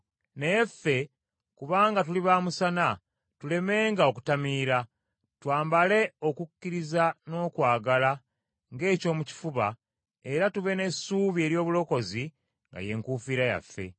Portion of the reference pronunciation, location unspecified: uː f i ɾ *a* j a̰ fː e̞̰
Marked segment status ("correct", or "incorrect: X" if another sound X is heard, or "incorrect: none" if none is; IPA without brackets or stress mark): correct